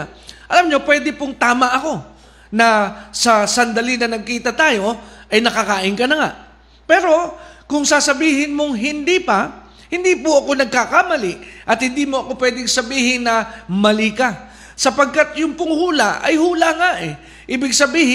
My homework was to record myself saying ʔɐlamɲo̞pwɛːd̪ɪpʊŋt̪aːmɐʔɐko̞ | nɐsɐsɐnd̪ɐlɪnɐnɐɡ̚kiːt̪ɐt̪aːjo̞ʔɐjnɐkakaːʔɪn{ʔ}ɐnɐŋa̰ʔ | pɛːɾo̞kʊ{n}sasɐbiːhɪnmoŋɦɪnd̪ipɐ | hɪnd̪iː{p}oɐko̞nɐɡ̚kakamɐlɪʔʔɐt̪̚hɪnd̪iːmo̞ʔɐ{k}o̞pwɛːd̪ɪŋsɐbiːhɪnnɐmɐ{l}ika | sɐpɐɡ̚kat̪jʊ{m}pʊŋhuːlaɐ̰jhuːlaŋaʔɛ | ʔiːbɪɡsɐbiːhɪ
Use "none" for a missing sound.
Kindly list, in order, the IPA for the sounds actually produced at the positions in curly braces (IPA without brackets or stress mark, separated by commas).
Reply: k, ŋ, p, k, l, ŋ